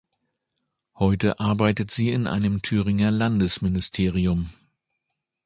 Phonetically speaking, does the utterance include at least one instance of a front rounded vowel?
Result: yes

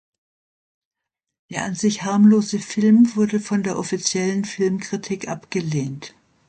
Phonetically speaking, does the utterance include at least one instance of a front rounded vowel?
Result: no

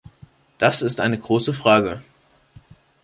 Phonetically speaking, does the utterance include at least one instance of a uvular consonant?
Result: yes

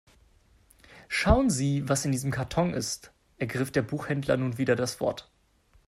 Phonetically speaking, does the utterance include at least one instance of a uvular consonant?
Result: yes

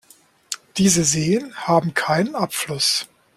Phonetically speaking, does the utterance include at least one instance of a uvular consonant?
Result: no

